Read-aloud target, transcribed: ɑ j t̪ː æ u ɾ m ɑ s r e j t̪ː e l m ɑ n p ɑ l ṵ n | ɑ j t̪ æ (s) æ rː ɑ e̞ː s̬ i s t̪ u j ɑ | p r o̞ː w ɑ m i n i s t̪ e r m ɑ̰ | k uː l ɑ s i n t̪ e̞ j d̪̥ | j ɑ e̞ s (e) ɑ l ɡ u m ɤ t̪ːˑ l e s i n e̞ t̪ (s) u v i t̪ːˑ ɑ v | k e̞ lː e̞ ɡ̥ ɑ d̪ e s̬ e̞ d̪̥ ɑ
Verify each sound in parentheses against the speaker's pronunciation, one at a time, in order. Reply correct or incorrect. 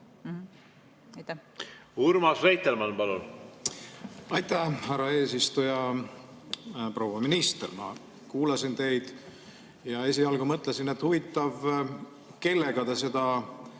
incorrect, incorrect, incorrect

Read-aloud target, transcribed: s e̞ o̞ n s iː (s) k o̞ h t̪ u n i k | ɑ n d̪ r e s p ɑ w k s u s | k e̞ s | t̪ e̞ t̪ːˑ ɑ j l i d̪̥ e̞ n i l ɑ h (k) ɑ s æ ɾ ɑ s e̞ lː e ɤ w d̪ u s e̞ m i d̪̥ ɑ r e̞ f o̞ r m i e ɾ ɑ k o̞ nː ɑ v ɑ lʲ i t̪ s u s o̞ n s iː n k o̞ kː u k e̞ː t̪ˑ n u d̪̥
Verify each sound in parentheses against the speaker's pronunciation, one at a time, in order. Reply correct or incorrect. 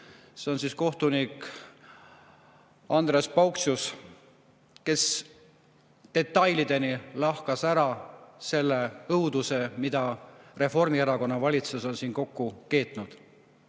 correct, correct

